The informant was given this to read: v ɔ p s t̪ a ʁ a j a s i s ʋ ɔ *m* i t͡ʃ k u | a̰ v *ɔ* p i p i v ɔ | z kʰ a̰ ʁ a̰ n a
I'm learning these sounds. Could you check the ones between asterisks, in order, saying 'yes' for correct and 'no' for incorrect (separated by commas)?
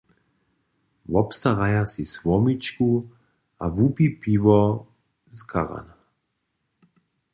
yes, no